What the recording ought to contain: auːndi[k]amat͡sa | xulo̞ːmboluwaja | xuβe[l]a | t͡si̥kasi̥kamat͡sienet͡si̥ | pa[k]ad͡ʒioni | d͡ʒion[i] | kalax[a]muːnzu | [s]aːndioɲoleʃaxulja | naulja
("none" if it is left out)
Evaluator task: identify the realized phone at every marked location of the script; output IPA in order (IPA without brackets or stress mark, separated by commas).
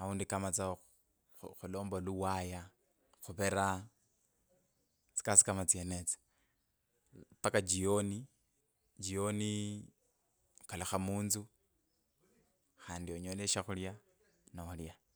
k, ɾ, k, i, a, x